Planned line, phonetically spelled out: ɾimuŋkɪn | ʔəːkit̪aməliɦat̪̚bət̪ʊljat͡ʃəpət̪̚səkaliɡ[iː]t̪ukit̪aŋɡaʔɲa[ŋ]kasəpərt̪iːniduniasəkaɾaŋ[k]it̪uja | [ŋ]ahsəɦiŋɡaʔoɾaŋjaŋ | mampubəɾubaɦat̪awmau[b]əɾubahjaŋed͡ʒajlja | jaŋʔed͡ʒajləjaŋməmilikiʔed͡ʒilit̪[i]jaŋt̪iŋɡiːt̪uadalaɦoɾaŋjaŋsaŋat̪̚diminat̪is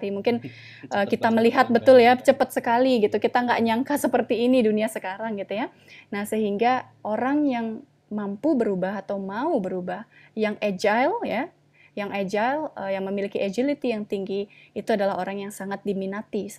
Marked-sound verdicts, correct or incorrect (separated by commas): incorrect, correct, incorrect, incorrect, correct, correct